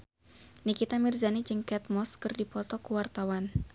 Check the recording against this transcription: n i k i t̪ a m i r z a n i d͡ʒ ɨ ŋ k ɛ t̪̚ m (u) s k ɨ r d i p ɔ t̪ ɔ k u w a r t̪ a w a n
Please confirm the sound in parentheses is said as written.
no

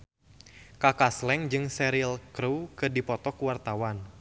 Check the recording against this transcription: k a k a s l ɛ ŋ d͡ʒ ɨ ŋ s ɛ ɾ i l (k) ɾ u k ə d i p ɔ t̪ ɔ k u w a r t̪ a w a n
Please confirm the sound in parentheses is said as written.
yes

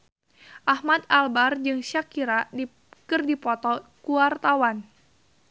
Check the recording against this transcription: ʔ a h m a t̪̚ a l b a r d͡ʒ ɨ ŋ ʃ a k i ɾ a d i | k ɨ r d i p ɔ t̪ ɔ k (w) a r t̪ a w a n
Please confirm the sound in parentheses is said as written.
no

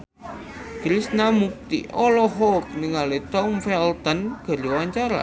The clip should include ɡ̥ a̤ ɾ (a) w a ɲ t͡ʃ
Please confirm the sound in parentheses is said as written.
no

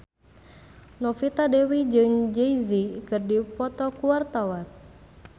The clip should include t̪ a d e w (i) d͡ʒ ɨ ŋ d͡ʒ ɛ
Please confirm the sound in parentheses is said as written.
yes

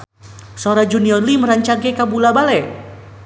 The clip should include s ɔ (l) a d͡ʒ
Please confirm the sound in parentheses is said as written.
no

